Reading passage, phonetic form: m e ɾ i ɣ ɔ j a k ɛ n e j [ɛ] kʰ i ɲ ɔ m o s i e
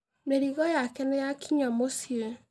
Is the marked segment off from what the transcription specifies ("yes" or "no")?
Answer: yes